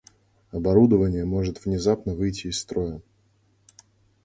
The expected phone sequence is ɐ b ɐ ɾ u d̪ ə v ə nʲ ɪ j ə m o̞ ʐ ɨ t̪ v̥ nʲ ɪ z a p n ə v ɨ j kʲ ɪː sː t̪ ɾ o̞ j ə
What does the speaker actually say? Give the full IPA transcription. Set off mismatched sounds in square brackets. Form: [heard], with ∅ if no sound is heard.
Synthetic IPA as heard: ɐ b ɐ ɾ u d̪ ə v ə nʲ ɪ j ə m o̞ ʐ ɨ t̪ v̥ nʲ ɪ z a p n ə v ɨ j [tʲ] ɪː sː t̪ ɾ o̞ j ə